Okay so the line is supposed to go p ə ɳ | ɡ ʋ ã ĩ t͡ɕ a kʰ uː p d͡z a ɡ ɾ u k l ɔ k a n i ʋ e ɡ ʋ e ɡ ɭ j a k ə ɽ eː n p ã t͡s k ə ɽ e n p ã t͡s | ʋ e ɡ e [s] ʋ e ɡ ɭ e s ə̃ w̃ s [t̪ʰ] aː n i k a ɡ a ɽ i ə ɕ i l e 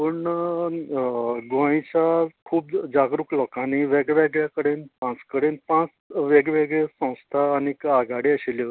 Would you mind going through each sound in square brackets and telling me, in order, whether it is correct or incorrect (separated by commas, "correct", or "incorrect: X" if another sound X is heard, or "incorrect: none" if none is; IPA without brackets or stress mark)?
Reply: incorrect: none, correct